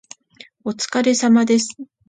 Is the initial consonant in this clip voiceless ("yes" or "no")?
yes